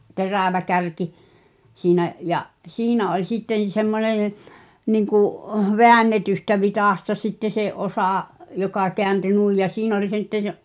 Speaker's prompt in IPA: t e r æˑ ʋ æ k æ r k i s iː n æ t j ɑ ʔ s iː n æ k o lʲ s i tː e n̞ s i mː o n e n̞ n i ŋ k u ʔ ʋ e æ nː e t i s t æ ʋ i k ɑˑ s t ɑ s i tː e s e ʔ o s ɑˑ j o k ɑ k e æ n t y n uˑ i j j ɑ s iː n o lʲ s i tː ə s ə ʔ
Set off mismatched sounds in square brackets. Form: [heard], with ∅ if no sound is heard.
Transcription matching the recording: t e r æˑ ʋ æ k æ r k i s iː n æ [ʔ] j ɑ ʔ s iː n æ [∅] o lʲ s i tː e n̞ s [e] mː o n e n̞ n i ŋ k u ʔ ʋ e æ nː e t [y] s t æ ʋ i [t] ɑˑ s t ɑ s i tː e s e ʔ o s ɑˑ j o k ɑ k e æ n t y n uˑ i j j ɑ s iː n o lʲ s i tː ə s ə ʔ